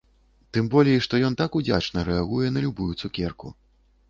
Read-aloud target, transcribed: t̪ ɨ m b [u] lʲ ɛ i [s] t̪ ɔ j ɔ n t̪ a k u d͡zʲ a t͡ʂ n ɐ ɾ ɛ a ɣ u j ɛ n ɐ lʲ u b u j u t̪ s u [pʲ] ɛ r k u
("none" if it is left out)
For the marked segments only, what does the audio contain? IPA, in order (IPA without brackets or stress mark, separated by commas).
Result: ɔ, ʂ, kʲ